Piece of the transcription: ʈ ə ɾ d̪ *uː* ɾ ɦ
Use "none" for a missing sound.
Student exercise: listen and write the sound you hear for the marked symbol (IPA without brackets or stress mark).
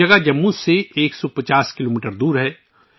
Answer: uː